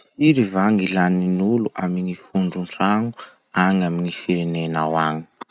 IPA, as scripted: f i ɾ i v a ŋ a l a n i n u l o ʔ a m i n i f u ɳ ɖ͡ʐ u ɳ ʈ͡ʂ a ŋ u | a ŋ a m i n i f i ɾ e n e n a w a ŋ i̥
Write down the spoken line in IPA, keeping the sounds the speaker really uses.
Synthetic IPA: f i ɾ i v a ŋ i l a n i n u l u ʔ a m i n i f u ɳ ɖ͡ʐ u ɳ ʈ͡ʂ a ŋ u | a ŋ a m i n i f i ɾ e n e n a w a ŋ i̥